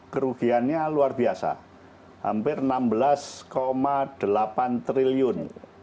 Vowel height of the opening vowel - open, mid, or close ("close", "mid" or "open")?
mid